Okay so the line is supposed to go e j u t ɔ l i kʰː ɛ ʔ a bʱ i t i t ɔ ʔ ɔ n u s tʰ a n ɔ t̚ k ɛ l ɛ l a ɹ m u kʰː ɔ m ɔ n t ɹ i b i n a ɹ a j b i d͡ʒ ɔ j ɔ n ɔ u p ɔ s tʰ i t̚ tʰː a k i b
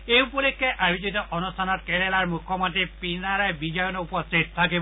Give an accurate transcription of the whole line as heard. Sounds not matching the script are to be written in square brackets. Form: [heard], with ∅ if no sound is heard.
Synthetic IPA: e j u [p] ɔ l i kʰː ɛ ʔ a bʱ i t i t ɔ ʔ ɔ n u s tʰ a n ɔ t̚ k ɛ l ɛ l a ɹ m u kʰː ɔ m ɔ n t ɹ i [p] i n a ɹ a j b i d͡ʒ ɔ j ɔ n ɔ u p ɔ s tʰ i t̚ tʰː a k i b